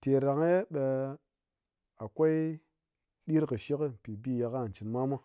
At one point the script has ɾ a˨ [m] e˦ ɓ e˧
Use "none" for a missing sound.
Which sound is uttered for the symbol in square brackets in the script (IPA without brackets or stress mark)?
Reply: ŋ